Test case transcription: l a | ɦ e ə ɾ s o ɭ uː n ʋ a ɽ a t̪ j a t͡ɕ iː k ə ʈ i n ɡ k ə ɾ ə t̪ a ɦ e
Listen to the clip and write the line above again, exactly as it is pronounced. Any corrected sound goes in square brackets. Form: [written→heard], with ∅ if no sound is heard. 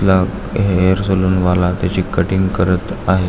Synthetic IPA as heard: l a | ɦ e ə ɾ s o [ɭ→l] uː n ʋ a [ɽ→l] a t̪ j a t͡ɕ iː k ə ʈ i [n→ŋ] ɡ k ə ɾ ə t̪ a ɦ e